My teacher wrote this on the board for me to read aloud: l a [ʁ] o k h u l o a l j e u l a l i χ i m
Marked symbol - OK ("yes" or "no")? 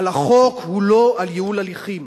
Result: no